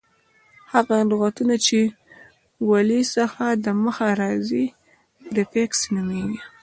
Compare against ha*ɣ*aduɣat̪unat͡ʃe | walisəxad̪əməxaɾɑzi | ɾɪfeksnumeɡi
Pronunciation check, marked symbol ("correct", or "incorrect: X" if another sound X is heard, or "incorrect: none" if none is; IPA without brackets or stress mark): correct